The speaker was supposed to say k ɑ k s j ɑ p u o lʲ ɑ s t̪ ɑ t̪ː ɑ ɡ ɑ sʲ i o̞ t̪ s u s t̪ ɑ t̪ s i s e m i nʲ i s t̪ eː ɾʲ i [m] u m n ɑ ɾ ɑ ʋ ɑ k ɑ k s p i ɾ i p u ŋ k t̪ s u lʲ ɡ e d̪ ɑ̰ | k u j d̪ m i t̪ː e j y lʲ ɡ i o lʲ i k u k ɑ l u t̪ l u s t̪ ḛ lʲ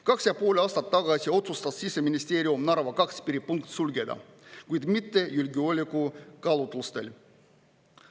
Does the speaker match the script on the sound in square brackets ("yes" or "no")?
no